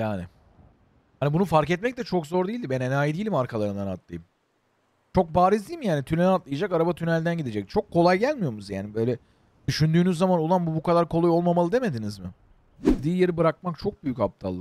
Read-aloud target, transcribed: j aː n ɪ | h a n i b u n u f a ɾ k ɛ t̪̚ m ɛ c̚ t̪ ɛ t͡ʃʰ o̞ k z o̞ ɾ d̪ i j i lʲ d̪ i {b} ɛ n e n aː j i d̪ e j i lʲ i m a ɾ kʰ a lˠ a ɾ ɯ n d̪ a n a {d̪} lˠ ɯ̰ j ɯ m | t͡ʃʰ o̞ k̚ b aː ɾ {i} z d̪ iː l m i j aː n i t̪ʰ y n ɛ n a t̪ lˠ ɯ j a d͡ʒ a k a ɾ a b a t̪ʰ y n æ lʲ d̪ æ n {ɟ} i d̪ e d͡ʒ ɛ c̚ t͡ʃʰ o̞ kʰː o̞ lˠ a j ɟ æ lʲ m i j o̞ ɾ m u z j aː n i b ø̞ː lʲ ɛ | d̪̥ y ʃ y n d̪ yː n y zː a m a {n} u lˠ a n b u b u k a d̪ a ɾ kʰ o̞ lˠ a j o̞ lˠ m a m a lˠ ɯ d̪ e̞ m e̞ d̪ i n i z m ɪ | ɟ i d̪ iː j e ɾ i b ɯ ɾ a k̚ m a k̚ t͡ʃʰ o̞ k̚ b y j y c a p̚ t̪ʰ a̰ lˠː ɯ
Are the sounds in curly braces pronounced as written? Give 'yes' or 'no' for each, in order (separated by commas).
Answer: yes, no, yes, yes, yes